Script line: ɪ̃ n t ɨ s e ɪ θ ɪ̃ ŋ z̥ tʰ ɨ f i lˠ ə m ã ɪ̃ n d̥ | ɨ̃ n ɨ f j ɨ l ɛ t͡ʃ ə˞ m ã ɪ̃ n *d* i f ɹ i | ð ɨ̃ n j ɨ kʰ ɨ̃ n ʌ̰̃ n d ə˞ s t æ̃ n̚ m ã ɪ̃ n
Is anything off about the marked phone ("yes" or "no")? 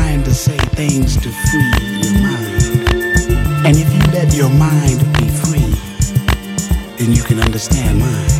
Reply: yes